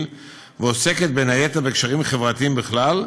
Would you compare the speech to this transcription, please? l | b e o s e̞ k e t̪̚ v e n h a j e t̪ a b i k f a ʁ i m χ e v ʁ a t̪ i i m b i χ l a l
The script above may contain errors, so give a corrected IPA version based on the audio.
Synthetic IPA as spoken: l | v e o s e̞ k e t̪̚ b e n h a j e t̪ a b e k ʃ a ʁ i m χ e v ʁ a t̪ i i m b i χ l a l